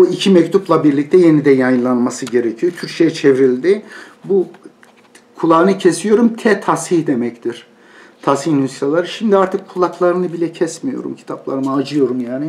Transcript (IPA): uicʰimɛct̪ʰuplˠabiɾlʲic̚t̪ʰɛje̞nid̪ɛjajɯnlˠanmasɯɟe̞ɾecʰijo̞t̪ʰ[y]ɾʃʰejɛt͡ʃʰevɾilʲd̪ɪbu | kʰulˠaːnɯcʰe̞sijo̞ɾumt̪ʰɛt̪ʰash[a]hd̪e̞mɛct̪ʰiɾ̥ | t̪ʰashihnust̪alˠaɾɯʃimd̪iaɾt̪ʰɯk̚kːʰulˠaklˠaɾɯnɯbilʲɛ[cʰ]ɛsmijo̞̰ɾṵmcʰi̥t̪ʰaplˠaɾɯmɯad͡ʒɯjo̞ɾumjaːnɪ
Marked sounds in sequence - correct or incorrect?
correct, incorrect, correct

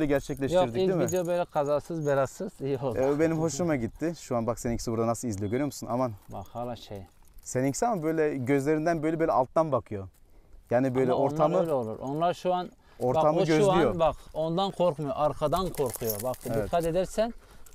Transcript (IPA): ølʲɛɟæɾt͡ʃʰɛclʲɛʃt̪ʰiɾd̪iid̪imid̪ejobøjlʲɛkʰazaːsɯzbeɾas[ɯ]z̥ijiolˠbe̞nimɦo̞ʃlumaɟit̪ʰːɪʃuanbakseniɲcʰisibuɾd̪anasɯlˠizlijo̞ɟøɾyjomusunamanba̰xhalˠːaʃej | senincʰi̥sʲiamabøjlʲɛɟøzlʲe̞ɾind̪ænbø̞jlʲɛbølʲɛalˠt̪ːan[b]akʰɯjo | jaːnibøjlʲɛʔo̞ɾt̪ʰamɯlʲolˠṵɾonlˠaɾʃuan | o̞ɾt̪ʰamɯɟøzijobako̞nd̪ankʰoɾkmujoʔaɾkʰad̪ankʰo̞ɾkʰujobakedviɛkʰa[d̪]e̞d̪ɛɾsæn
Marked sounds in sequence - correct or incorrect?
correct, correct, incorrect

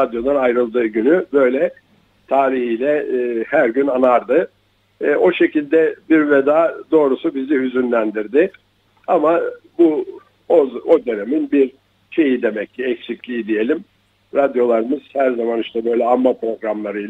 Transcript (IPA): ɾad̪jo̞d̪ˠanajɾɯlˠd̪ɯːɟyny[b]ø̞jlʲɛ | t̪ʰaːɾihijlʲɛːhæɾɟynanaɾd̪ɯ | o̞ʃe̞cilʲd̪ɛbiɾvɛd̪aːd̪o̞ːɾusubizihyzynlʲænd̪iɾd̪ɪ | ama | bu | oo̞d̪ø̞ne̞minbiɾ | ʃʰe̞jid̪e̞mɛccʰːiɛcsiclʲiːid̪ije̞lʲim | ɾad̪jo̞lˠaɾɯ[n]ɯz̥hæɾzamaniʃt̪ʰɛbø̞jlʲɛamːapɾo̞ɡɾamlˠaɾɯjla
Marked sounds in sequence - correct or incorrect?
correct, incorrect

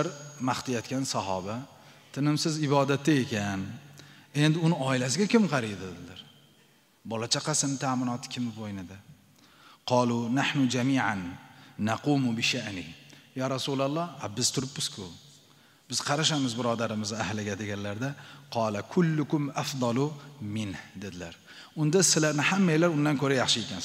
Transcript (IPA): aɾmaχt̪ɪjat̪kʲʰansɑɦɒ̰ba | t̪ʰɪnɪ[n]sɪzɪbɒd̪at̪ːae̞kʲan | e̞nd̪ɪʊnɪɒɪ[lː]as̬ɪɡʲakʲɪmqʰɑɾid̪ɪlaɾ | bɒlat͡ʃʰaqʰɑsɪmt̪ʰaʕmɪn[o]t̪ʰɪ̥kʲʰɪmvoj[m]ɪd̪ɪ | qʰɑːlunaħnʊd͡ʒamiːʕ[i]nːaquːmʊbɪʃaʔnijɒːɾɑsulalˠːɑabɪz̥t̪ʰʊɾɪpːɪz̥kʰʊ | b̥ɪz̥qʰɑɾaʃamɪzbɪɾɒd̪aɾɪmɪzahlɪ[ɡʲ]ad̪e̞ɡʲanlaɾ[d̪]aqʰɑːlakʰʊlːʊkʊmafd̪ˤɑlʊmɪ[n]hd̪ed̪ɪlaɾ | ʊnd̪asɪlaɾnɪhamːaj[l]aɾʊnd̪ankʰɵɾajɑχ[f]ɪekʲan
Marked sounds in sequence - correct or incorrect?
incorrect, incorrect, incorrect, incorrect, incorrect, correct, correct, correct, correct, incorrect

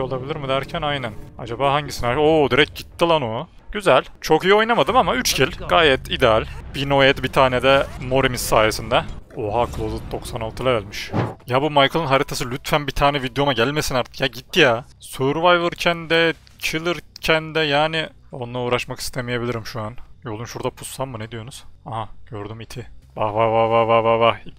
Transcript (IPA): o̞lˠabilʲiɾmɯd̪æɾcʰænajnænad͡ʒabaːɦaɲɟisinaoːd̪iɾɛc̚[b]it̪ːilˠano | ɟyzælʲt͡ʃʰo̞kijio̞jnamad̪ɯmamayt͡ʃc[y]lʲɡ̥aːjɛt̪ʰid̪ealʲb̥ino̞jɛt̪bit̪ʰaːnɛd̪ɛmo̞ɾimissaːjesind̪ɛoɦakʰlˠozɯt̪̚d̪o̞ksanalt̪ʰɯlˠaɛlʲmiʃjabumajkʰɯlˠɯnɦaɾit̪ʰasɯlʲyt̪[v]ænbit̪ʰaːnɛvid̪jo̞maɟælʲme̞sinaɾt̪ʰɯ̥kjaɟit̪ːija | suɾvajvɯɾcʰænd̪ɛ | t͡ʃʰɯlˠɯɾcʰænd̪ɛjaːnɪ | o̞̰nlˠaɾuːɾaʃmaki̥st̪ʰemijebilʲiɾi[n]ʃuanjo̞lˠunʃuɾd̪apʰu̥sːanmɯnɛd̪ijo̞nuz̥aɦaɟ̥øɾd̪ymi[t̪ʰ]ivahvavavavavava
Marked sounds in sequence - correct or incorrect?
incorrect, incorrect, incorrect, incorrect, correct

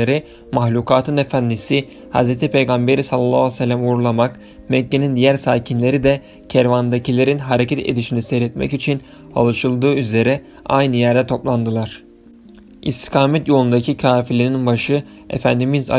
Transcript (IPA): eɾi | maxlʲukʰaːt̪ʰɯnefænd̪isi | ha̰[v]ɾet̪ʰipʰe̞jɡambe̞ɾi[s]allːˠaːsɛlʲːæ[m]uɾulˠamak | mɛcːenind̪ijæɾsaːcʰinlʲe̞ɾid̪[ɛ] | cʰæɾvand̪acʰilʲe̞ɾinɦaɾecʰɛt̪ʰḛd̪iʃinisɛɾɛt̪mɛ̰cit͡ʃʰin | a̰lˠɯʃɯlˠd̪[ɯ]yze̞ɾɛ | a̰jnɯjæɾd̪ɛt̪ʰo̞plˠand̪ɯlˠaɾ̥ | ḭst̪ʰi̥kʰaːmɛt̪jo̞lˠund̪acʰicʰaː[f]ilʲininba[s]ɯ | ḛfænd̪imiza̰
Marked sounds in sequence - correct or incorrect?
incorrect, correct, correct, correct, incorrect, correct, incorrect

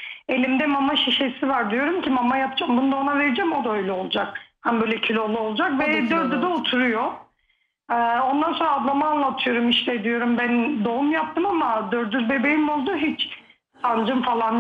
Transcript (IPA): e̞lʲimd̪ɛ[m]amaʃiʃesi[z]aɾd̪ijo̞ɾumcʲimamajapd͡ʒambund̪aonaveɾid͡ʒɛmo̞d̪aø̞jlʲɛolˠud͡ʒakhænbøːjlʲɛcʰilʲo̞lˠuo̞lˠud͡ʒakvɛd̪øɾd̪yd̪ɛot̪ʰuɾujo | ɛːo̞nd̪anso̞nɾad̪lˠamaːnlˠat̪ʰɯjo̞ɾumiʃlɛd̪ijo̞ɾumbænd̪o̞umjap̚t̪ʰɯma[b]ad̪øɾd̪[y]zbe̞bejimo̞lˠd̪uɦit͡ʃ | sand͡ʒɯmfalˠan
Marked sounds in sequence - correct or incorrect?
correct, incorrect, incorrect, correct

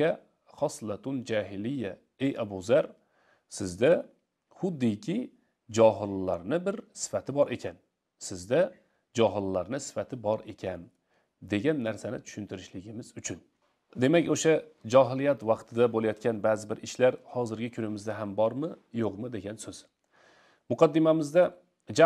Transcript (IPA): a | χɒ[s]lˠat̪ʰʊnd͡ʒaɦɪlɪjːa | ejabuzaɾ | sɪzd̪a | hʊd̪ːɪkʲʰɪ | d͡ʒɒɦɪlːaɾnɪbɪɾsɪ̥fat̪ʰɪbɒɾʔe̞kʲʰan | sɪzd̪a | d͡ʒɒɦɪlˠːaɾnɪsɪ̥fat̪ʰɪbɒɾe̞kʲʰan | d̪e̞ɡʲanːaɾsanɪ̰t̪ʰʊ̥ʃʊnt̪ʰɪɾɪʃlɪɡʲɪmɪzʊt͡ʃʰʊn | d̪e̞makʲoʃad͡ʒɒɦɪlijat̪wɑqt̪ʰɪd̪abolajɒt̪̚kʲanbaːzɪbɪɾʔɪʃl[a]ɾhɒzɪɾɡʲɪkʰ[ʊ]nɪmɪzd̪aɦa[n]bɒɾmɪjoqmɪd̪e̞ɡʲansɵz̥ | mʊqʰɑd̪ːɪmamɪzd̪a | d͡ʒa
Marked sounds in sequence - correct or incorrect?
correct, correct, correct, incorrect

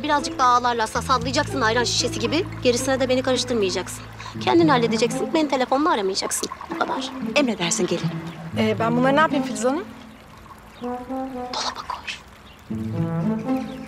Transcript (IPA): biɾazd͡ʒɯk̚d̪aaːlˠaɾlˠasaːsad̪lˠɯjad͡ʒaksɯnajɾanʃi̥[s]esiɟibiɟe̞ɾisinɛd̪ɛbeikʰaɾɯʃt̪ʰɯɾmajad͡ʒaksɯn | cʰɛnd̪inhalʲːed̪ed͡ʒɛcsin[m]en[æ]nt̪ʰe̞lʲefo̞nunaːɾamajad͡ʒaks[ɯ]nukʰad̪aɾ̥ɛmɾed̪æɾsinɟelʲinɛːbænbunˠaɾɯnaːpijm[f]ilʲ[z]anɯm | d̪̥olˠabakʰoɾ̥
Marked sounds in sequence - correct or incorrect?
incorrect, incorrect, incorrect, correct, correct, correct

